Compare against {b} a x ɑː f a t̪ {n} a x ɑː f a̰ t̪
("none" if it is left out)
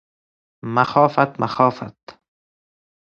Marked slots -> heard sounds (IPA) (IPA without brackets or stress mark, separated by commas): m, m